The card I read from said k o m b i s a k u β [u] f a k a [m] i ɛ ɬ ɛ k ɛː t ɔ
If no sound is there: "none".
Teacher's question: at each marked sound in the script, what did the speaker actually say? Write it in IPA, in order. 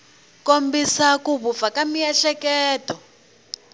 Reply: u, m

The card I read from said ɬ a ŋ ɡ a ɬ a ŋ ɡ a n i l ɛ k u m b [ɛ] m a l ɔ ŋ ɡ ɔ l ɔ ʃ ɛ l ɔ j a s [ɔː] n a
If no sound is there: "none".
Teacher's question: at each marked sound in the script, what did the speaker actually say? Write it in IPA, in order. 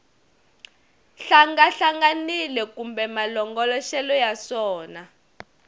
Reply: ɛ, ɔː

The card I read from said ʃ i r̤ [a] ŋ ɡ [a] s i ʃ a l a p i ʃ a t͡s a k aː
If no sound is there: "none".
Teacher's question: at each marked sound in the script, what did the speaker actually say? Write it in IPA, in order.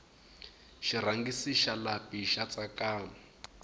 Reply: a, i

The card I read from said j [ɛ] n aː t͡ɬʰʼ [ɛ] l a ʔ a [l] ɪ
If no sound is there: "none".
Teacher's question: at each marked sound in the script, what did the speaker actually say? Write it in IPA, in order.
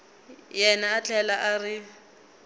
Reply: ɛ, ɛ, r

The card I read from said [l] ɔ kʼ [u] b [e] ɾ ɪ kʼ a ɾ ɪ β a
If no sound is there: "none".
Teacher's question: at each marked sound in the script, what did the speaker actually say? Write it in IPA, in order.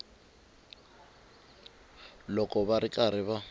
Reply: l, ɔ, a

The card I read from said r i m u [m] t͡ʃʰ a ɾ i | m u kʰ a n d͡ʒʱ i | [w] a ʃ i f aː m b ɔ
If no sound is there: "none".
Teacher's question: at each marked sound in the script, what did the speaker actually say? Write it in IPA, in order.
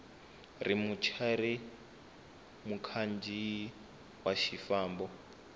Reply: none, w

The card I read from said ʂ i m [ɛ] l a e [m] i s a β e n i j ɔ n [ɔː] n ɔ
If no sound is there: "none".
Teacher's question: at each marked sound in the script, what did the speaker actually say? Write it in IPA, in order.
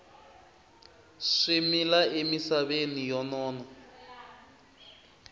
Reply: i, m, ɔː

